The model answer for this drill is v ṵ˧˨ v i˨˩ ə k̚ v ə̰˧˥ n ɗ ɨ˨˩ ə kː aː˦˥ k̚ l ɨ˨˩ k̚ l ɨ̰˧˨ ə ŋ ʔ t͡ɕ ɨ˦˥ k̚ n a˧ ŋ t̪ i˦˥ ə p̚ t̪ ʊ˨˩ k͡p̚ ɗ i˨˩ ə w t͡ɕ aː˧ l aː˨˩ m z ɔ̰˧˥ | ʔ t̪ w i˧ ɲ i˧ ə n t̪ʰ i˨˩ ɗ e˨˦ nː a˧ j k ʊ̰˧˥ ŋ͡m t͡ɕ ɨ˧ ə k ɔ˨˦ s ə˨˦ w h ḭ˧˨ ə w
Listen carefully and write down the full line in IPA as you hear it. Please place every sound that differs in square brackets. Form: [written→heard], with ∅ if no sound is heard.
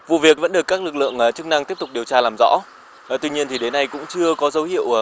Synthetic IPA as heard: v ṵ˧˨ v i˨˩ ə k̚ v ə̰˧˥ n ɗ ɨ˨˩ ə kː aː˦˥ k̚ l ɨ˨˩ k̚ l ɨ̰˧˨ ə ŋ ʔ t͡ɕ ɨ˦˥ k̚ n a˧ ŋ t̪ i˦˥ ə p̚ t̪ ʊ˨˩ k͡p̚ ɗ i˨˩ ə w t͡ɕ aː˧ l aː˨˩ m z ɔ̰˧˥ | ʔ t̪ w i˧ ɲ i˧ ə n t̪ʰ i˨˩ ɗ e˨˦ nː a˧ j k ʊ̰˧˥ ŋ͡m t͡ɕ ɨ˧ ə k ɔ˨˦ [s→z] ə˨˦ w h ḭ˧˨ ə w

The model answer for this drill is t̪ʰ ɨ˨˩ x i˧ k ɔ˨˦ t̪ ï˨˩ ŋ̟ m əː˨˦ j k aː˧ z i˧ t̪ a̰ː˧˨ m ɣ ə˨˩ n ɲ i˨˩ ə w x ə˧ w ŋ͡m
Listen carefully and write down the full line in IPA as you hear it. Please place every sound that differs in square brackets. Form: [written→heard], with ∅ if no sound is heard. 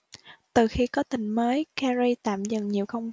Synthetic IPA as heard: [t̪ʰ→t̪] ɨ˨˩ x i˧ k ɔ˨˦ t̪ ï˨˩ ŋ̟ m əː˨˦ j k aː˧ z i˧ t̪ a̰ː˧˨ m [ɣ→z] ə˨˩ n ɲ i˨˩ ə w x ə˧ w ŋ͡m

